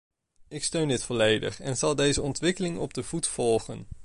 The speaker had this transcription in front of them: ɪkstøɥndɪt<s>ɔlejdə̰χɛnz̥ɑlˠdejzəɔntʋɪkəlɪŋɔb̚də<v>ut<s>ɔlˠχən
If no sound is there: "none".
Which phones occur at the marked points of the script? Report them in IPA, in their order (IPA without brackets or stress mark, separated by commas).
f, v, f